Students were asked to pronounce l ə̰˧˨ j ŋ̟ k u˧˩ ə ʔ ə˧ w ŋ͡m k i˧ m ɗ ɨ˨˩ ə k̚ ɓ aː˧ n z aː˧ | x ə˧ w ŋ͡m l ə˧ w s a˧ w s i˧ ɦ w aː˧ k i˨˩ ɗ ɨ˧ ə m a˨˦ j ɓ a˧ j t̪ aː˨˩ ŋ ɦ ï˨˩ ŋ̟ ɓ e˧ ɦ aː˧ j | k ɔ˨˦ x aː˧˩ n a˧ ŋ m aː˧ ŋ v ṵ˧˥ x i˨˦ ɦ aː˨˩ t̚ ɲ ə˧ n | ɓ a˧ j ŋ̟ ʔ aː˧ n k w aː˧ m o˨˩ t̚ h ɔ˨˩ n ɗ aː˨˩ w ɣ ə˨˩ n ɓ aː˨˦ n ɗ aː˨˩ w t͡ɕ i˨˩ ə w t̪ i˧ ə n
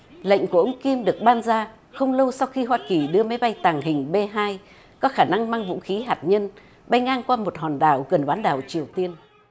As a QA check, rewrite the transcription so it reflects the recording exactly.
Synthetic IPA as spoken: l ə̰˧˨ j ŋ̟ k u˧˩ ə ʔ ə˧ w ŋ͡m k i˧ m ɗ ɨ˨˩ ə k̚ ɓ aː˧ n z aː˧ | x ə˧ w ŋ͡m l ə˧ w s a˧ w x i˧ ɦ w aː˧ k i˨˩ ɗ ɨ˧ ə m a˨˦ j ɓ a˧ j t̪ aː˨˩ ŋ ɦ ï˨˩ ŋ̟ ɓ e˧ ɦ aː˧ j | k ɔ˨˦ x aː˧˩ n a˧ ŋ m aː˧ ŋ v ṵ˧˥ x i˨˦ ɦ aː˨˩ t̚ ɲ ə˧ n | ɓ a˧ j ŋ̟ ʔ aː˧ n k w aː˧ m o˨˩ t̚ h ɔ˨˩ n ɗ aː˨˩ w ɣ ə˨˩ n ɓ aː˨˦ n ɗ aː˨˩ w t͡ɕ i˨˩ ə w t̪ i˧ ə n